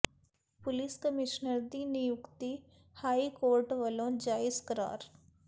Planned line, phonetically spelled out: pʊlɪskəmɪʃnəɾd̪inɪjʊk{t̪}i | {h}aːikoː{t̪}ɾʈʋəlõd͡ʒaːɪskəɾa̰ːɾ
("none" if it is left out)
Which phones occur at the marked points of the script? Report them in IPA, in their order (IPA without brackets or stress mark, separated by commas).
t̪, h, none